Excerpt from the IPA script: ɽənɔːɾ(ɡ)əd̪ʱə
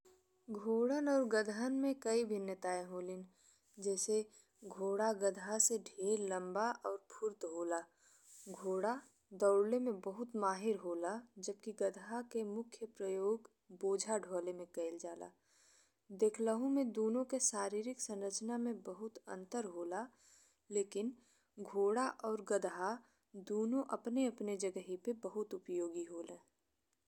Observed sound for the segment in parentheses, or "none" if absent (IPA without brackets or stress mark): ɡ